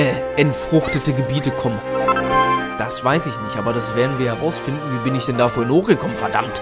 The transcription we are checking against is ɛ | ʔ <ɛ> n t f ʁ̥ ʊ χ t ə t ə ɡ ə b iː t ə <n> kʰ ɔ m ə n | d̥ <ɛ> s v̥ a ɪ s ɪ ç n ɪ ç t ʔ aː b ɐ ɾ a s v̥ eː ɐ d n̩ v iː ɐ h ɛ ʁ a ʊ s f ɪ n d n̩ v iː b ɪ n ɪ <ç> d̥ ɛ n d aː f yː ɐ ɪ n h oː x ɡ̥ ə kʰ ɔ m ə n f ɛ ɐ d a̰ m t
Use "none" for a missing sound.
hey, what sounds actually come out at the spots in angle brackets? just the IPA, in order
ɛ, none, a, ç

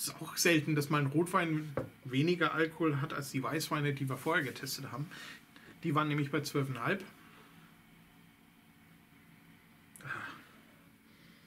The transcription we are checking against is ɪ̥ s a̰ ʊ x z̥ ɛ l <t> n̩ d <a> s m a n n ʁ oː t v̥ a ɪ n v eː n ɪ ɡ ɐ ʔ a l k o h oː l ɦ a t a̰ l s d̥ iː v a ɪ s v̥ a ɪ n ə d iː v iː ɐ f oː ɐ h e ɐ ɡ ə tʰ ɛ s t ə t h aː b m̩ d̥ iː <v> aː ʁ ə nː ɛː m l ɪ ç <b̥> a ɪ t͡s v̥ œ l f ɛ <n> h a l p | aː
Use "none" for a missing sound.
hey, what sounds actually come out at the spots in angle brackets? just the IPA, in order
t, a, v, b̥, n

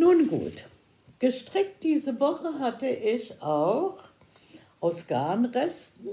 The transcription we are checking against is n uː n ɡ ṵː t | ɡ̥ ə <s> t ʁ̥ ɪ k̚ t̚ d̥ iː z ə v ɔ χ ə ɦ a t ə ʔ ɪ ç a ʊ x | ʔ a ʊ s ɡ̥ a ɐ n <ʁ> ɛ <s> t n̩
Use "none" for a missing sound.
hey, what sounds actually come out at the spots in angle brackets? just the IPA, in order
ʃ, ʁ, s

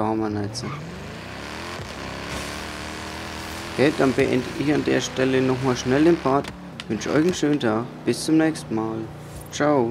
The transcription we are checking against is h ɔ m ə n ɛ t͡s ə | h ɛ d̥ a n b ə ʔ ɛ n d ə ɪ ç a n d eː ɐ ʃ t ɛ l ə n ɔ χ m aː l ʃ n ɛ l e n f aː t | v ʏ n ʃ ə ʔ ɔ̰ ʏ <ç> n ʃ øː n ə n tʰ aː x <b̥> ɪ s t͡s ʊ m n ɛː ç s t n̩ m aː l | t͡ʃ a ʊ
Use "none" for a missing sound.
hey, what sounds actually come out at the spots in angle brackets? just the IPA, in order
ç, b̥

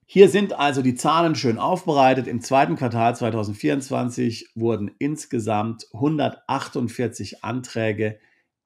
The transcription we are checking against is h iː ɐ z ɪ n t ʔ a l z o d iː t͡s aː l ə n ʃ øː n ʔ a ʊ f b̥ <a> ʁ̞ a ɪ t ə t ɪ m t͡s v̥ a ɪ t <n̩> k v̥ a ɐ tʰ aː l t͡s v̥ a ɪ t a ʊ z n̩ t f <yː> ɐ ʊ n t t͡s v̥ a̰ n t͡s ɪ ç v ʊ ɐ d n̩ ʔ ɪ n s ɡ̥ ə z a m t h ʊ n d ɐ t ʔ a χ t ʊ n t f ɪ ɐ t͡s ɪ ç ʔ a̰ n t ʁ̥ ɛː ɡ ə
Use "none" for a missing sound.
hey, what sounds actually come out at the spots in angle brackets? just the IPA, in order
ə, n̩, iː

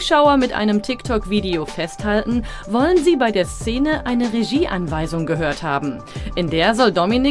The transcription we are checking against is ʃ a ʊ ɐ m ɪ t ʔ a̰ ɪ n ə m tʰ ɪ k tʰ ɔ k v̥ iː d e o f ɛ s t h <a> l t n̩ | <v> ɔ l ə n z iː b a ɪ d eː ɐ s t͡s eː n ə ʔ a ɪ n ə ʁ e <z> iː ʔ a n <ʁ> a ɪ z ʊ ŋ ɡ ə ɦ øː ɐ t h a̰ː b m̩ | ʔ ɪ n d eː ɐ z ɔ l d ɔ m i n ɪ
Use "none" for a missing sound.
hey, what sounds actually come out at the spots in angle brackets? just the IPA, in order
a, v, ʒ, v

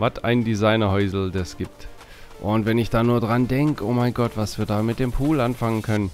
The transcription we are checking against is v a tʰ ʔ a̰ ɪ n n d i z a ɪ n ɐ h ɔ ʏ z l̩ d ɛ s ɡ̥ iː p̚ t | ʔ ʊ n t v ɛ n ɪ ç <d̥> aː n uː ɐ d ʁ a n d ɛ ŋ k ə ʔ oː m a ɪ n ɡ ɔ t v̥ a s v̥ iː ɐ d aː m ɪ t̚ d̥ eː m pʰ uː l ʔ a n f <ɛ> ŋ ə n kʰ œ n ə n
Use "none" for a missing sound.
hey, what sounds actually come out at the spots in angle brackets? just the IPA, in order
d̥, a

